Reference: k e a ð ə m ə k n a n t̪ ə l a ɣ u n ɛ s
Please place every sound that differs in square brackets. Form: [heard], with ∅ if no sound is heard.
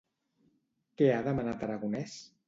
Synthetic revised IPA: k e a ð ə m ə [∅] n a [∅] t̪ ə [ɾ] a ɣ u n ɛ s